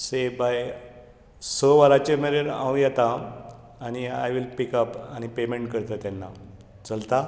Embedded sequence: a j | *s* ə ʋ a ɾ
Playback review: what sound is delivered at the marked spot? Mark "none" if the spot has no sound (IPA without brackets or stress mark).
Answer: s